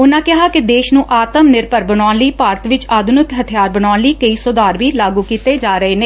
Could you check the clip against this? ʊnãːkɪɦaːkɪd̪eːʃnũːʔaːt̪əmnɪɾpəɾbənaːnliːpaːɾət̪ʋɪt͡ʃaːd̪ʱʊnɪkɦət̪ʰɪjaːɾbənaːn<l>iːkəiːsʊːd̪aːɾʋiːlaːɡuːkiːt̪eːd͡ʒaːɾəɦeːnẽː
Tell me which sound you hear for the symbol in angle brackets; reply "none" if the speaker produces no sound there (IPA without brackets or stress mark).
l